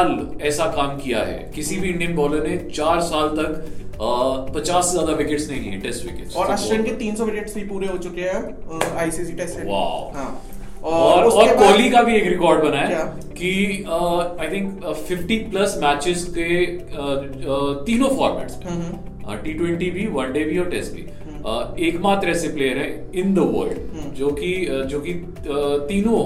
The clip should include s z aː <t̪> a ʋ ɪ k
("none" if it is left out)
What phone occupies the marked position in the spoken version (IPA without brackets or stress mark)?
d̪